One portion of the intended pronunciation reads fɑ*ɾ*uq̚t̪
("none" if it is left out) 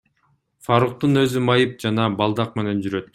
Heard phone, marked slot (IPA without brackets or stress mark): ɾ